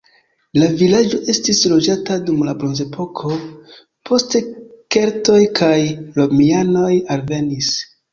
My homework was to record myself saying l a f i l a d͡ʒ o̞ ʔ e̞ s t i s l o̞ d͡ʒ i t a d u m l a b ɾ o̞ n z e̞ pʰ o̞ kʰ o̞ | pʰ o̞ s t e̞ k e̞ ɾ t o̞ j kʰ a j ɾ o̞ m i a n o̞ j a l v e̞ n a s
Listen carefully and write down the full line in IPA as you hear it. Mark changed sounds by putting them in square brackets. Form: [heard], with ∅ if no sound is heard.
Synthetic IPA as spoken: l a [v] i l a d͡ʒ o̞ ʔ e̞ s t i s l o̞ d͡ʒ [a] t a d u m l a b ɾ o̞ n z e̞ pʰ o̞ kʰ o̞ | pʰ o̞ s t e̞ k e̞ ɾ t o̞ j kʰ a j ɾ o̞ m i a n o̞ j a l v e̞ n [i] s